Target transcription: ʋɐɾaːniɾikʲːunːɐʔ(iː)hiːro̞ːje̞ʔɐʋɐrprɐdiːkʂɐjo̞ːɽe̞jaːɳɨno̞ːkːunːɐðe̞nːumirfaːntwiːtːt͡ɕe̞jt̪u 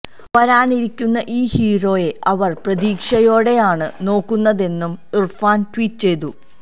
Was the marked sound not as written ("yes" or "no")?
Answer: no